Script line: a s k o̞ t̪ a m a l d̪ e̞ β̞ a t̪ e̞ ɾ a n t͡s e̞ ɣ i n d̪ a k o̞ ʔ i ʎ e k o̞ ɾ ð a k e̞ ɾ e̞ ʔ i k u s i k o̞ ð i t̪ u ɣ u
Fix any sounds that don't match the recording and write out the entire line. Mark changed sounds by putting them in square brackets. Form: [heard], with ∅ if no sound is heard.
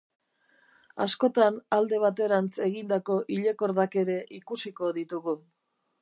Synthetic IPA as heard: a s k o̞ t̪ a [n] a l d̪ e̞ β̞ a t̪ e̞ ɾ a n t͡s e̞ ɣ i n d̪ a k o̞ ʔ i ʎ e k o̞ ɾ ð a k e̞ ɾ e̞ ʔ i k u s i k o̞ ð i t̪ u ɣ u